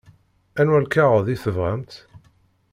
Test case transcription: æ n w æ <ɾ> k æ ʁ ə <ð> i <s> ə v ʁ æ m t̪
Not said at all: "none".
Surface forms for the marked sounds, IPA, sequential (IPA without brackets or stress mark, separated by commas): l, ð, θ